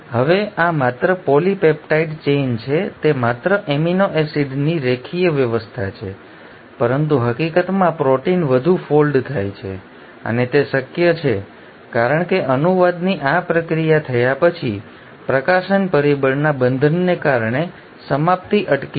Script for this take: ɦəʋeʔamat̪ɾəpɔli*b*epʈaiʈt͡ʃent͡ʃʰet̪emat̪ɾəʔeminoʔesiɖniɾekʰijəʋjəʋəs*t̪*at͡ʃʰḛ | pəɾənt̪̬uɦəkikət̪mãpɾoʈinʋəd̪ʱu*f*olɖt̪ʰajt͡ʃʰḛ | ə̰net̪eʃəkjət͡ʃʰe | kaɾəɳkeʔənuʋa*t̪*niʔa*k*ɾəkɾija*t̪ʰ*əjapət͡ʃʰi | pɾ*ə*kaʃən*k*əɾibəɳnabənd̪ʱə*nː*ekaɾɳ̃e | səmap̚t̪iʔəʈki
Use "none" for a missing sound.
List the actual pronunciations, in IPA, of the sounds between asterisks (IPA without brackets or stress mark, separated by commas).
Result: p, t̪ʰ, f, d̪, p, t̪ʰ, ə, p, nː